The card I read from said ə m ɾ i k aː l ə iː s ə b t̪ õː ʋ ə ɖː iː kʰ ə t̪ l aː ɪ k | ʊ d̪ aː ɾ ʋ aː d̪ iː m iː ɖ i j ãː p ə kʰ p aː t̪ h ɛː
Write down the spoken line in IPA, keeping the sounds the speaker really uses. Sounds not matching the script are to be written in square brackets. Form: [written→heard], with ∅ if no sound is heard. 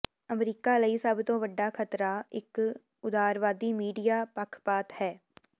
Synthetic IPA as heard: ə m ɾ [i→iː] k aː l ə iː s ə b t̪ õː ʋ ə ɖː [iː→aː] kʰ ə t̪ [l→ɾ] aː ɪ k | ʊ d̪ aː ɾ ʋ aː d̪ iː m iː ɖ i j [ãː→aː] p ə kʰ p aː t̪ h ɛː